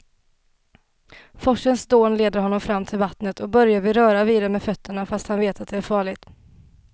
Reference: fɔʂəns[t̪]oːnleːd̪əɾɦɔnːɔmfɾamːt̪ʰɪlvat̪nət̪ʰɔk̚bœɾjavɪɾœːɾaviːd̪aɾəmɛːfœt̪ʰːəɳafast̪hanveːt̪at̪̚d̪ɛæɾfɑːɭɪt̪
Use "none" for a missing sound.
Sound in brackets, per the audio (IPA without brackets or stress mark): d̪